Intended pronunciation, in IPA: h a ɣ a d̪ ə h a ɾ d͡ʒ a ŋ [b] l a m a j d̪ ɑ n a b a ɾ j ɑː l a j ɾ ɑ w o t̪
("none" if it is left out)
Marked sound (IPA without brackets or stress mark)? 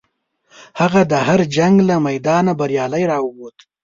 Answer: ɡ